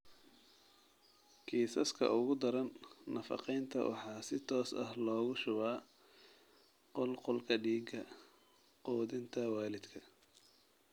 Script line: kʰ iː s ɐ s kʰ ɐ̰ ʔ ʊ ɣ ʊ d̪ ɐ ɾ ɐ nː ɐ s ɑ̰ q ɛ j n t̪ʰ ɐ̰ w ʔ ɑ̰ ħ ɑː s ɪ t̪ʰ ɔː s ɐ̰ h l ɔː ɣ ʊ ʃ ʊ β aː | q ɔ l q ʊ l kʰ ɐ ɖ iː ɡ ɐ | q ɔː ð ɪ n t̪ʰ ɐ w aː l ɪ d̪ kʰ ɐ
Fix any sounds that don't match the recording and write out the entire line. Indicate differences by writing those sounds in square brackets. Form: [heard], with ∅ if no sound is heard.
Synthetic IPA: kʰ iː s ɐ s kʰ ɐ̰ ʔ ʊ ɣ ʊ d̪ ɐ ɾ ɐ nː ɐ [f] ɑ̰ q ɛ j n t̪ʰ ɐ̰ w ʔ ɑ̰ ħ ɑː s ɪ t̪ʰ ɔː s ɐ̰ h l ɔː ɣ ʊ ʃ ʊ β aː | q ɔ l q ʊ l kʰ ɐ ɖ iː ɡ ɐ | q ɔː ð ɪ n t̪ʰ ɐ w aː l ɪ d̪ kʰ ɐ